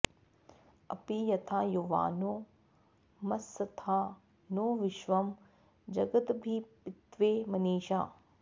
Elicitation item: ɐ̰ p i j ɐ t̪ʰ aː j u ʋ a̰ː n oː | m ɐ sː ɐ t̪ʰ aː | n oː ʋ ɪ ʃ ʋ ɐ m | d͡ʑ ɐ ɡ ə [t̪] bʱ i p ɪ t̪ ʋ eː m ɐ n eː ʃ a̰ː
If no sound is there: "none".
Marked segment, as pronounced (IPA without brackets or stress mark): t̪